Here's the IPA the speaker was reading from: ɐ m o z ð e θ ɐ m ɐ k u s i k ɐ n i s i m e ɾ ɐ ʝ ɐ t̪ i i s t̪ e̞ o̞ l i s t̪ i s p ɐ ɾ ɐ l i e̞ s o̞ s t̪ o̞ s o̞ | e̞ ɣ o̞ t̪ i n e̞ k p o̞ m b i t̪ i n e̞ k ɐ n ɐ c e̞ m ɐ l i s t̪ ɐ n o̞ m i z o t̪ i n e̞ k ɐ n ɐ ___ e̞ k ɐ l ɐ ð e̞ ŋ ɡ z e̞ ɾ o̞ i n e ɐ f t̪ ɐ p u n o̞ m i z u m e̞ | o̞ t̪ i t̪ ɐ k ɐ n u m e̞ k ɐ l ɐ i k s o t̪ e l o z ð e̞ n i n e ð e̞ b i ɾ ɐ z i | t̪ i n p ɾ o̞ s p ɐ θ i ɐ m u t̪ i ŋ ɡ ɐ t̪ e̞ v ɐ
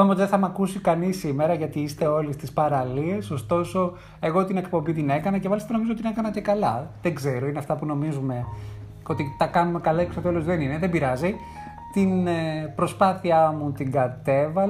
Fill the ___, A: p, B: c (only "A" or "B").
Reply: B